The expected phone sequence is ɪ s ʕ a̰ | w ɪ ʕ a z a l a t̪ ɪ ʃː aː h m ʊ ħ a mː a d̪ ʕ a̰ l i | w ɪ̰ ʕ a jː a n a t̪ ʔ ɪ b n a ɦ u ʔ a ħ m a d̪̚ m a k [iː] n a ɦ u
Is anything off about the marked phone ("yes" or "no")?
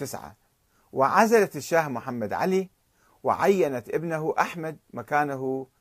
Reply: yes